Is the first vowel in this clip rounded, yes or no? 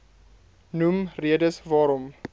yes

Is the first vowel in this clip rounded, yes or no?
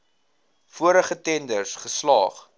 yes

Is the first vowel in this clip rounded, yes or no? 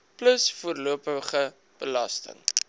no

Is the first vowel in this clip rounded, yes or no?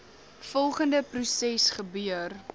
yes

